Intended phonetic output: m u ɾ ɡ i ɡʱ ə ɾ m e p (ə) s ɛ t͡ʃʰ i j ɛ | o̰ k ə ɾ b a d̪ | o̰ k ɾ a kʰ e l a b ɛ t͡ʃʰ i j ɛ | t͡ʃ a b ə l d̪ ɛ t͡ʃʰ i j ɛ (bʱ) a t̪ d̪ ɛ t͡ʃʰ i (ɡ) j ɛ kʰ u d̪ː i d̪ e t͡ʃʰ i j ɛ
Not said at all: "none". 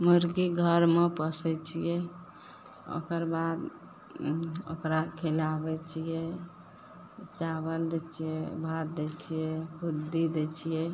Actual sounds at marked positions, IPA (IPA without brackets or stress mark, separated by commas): ə, bʱ, none